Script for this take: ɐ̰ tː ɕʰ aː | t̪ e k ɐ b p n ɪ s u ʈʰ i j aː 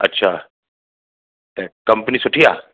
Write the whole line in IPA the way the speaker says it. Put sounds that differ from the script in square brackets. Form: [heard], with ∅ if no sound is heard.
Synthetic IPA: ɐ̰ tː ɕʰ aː | t̪ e k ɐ [m] p n [i] s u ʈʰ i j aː